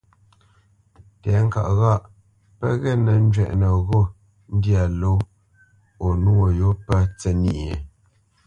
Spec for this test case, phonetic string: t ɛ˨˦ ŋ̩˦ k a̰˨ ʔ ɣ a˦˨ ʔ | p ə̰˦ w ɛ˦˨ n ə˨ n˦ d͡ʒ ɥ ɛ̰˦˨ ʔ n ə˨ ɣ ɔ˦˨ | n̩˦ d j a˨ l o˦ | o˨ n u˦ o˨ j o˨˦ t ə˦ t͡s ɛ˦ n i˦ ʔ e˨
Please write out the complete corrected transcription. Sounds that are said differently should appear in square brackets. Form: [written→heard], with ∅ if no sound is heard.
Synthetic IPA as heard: t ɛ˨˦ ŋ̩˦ k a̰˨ ʔ ɣ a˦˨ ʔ | p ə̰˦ [w→ɣ] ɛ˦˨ n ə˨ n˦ d͡ʒ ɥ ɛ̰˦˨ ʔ n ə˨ ɣ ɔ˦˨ | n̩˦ d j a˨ l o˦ | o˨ n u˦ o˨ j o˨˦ [t→p] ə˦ t͡s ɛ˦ n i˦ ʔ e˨